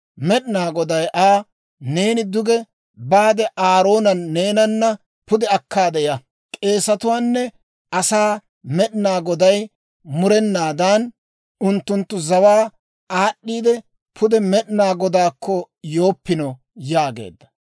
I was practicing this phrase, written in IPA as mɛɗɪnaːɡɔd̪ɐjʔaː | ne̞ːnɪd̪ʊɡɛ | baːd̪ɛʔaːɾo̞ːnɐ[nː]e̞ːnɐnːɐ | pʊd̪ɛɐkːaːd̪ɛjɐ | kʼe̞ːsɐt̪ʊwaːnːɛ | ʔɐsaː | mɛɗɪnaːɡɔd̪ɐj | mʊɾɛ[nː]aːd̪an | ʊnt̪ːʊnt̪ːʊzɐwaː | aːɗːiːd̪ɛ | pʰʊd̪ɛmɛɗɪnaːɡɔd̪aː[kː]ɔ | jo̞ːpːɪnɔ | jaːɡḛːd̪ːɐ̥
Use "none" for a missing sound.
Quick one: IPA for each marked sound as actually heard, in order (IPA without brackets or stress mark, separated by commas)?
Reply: nː, nː, kː